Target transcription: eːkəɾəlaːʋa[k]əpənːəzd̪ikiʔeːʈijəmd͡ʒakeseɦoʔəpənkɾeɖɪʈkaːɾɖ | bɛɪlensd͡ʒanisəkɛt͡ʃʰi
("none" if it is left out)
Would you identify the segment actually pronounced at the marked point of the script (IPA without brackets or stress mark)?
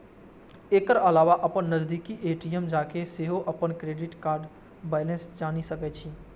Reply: ʔ